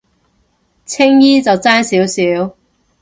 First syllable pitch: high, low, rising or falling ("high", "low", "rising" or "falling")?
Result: high